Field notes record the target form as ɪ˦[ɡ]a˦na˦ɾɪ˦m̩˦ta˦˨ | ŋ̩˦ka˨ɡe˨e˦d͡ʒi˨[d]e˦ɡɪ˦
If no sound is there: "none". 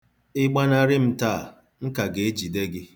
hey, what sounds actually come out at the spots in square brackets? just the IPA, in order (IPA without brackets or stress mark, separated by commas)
ɡ͡b, d